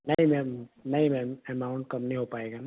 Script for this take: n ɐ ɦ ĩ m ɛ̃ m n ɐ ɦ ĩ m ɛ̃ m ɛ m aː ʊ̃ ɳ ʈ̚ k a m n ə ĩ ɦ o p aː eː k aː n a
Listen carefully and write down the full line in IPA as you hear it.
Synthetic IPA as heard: n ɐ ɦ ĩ m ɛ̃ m n ɐ ɦ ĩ m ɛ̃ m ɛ m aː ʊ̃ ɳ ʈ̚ k ɐ m n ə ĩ ɦ o p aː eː ɡ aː n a